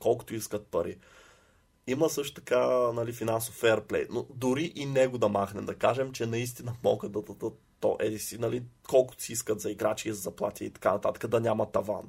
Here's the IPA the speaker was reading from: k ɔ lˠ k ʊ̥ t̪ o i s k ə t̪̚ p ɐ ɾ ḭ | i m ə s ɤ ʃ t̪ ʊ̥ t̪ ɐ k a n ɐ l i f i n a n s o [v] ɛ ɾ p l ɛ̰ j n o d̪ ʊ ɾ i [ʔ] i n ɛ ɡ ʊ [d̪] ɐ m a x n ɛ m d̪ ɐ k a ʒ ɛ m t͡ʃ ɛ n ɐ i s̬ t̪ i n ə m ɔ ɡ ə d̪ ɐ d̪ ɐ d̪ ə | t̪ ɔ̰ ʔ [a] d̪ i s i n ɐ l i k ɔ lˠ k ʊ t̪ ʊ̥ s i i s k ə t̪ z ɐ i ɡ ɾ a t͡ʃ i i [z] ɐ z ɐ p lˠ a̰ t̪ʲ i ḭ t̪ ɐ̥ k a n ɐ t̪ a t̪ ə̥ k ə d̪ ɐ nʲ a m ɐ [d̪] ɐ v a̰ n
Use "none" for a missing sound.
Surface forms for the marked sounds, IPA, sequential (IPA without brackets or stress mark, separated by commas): f, ʔ, d̪, ɛ, z, t̪